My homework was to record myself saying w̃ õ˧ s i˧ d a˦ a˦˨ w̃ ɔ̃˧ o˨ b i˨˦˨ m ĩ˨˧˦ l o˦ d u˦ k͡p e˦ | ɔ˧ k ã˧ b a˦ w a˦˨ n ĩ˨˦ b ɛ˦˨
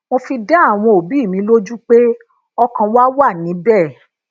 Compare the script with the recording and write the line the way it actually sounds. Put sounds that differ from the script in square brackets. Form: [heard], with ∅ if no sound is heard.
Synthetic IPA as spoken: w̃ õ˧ [f] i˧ d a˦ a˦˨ w̃ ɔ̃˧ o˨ b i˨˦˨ m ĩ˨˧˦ l o˦ [d͡ʒ] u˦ k͡p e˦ | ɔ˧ k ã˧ [w] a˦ w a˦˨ n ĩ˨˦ b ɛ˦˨